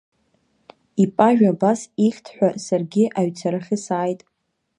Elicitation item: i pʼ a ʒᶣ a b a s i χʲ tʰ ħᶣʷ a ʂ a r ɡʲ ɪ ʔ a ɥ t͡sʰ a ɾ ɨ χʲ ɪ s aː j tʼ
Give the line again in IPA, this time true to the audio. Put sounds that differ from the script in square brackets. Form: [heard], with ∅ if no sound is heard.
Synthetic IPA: i pʼ a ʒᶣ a b a s i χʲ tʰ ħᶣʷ a [s] a r ɡʲ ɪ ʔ a ɥ t͡sʰ a ɾ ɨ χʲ ɪ s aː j tʼ

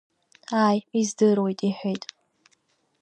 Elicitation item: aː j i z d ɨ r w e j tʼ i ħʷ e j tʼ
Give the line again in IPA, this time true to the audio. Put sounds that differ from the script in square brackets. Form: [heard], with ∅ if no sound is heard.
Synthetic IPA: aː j i z d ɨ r w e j tʼ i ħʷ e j tʼ

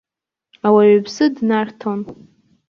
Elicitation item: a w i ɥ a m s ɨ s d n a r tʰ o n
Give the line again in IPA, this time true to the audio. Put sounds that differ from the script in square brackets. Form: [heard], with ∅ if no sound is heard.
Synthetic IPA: a w [a] ɥ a [b] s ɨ [∅] d n a r tʰ o n

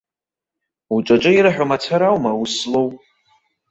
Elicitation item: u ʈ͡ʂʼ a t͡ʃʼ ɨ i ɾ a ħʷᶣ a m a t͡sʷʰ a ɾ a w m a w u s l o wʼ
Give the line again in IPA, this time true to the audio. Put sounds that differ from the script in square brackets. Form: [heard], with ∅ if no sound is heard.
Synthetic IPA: u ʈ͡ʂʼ a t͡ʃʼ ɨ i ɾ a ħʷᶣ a m a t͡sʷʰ a ɾ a w m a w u s l o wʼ

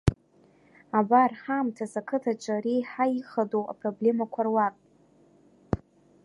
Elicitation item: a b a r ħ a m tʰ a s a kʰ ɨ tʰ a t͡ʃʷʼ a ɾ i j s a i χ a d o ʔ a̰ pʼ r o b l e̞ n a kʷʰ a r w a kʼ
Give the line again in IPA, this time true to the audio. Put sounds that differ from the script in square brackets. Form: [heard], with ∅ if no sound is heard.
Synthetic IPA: a b a r ħ a m tʰ a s a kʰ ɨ tʰ a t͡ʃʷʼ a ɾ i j [ħ] a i χ a d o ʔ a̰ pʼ r o b l e̞ [m] a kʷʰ a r w a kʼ

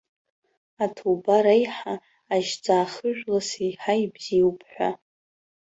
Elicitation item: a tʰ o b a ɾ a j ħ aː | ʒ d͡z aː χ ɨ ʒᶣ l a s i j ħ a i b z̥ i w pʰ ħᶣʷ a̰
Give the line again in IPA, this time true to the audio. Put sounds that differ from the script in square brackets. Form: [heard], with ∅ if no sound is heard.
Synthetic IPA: a tʰ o b a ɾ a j ħ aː | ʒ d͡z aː χ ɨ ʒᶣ l a s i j ħ a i b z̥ i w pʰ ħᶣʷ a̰

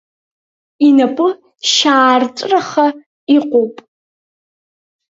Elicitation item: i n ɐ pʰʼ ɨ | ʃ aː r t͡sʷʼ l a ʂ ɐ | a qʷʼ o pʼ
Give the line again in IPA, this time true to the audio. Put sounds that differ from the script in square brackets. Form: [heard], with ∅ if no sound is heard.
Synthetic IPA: i n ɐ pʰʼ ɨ | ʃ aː r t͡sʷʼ [r] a [χ] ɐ | [i] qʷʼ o pʼ

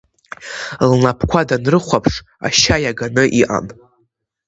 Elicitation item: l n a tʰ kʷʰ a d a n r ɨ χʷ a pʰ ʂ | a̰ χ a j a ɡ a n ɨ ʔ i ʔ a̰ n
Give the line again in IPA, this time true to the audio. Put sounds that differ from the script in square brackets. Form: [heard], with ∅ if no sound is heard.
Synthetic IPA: l n a [pʰ] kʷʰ a d a n r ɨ χʷ a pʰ ʂ | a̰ [ʃ] a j a ɡ a n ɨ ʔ i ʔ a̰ n

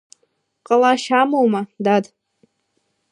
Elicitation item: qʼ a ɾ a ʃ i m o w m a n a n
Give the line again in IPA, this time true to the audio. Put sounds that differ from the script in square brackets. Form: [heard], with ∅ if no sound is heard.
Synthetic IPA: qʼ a [l] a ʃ [a] m o w m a [d] a [d]

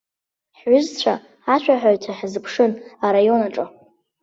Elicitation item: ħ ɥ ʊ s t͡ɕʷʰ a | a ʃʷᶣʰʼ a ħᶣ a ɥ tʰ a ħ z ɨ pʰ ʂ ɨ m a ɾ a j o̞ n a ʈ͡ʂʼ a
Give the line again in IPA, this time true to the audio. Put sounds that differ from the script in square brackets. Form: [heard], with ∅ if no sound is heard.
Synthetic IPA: ħ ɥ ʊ [z] t͡ɕʷʰ a | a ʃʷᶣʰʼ a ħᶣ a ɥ tʰ a ħ z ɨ pʰ ʂ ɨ [n] a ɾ a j o̞ n a ʈ͡ʂʼ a

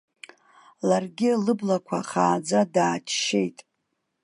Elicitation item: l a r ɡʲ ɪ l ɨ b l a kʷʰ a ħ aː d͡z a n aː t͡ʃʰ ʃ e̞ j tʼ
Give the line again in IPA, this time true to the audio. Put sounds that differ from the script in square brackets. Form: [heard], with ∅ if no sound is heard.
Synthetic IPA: l a r ɡʲ ɪ l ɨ b l a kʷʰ a [χ] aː d͡z a [d] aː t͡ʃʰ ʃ e̞ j tʼ

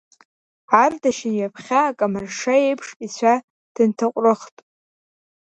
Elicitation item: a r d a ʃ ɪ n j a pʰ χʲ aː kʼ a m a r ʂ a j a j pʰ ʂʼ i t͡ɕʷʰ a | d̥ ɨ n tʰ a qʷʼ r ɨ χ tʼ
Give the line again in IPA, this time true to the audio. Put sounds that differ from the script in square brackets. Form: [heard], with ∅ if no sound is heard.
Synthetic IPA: a r d a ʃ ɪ n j a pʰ χʲ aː kʼ a m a r ʂ a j [e] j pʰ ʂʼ i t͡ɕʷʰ a | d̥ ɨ n tʰ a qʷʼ r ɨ χ tʼ

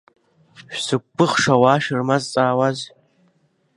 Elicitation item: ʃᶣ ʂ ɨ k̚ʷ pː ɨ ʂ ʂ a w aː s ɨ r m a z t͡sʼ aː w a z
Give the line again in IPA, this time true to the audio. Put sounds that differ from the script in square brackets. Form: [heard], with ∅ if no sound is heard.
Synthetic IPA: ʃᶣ [s] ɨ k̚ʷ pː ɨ [χ] ʂ a w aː [ʃ] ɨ r m a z t͡sʼ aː w a z

